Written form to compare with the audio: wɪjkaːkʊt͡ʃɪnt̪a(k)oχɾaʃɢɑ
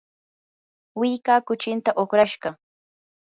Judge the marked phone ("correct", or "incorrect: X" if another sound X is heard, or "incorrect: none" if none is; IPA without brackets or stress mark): incorrect: ʔ